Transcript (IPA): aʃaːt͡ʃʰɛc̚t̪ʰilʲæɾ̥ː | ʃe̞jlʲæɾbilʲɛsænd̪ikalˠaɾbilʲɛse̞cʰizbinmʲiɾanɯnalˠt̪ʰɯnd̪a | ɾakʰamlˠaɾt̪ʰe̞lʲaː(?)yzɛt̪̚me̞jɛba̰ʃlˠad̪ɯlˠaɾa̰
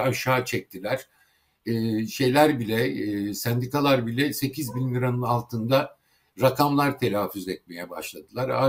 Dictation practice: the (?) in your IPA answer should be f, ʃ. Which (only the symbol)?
f